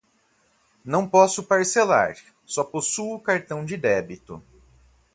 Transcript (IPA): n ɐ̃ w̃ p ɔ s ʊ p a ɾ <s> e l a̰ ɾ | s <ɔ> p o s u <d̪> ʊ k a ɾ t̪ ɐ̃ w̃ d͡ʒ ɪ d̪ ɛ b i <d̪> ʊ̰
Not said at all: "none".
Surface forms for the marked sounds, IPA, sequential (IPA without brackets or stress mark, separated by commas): s, ɔ, none, t̪